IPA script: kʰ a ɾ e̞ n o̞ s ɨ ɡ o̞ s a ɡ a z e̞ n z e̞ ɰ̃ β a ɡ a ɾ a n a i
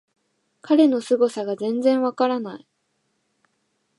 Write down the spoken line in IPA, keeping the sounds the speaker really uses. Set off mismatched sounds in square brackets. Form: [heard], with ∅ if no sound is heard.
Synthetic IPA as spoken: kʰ a ɾ e̞ n o̞ s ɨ ɡ o̞ s a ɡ a z [ẽ̞] n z [ẽ̞] ɰ̃ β a [k] a ɾ a n a i